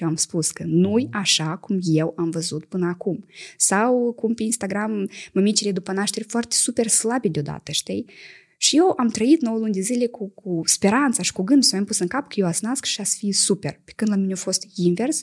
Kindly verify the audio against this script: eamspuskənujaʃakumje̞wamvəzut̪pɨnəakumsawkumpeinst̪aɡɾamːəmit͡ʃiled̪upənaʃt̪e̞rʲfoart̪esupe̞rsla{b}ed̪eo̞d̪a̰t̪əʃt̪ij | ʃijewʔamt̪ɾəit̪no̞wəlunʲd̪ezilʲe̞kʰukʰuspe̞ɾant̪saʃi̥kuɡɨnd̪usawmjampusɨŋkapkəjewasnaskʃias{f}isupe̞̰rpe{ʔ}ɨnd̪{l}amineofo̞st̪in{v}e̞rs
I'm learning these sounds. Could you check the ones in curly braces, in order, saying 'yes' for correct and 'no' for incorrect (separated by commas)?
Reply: yes, yes, no, yes, yes